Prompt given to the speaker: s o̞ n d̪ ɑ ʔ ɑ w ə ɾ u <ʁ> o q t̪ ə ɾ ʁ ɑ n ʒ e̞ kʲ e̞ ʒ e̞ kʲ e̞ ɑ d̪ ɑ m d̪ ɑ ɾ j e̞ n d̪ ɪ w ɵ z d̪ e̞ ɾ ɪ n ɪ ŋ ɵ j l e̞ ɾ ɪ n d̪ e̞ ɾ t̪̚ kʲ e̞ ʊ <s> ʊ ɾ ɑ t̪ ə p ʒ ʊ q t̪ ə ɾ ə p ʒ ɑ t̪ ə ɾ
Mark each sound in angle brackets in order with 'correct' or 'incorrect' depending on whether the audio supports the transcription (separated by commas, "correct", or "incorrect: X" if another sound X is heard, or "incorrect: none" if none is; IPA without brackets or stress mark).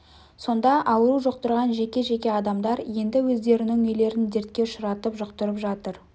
incorrect: ʒ, incorrect: ʃ